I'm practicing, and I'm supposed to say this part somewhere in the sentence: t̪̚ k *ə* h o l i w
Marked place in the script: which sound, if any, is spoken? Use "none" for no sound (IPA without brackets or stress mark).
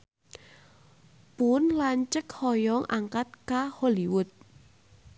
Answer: a